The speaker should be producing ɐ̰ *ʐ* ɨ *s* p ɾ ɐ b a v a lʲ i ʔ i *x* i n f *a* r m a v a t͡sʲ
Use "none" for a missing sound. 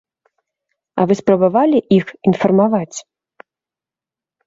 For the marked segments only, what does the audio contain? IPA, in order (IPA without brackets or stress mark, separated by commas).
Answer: v, s, x, ɐ